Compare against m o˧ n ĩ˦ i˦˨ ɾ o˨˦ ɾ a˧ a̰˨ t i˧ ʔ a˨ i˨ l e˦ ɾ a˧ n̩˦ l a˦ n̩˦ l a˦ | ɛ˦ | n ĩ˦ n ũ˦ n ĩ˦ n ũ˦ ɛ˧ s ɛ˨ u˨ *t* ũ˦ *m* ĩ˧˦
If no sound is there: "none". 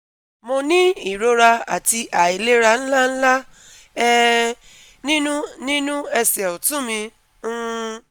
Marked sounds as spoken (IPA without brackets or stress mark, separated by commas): t, m